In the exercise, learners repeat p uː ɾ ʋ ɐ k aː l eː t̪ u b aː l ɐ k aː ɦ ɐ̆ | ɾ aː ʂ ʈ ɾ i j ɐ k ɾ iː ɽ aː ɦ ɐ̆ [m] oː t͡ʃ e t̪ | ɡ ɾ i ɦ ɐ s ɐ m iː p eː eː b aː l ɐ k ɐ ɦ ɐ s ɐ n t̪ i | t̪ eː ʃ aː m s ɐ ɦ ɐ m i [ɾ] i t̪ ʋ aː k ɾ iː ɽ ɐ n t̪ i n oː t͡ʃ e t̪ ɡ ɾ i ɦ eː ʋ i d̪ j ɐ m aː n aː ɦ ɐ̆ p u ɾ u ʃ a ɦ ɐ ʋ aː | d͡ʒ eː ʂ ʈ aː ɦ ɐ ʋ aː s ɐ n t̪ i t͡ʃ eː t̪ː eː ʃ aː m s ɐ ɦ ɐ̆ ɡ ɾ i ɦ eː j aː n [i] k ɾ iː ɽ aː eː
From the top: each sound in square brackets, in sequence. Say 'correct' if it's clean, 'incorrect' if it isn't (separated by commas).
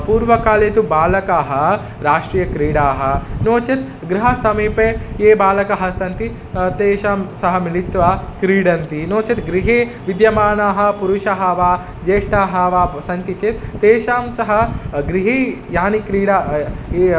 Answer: incorrect, incorrect, correct